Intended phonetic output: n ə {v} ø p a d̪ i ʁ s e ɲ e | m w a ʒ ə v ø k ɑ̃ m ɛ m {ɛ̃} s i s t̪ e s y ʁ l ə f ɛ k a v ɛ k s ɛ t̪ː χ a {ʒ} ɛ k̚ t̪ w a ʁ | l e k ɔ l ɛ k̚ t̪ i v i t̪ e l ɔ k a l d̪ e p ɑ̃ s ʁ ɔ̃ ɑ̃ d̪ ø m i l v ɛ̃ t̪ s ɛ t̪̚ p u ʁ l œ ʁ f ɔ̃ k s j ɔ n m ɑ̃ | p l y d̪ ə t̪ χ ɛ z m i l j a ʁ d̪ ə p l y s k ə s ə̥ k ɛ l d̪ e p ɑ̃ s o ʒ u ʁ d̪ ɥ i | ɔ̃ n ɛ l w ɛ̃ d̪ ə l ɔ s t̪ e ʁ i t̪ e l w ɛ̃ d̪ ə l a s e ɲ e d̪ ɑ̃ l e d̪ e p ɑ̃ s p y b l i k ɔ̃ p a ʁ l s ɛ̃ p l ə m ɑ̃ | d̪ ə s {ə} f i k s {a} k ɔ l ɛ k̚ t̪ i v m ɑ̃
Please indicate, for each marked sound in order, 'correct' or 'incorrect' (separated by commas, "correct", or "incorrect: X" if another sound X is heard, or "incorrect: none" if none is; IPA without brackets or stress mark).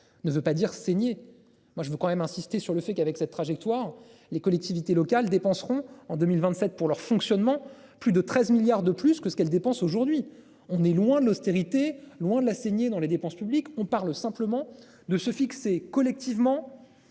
correct, correct, correct, correct, incorrect: e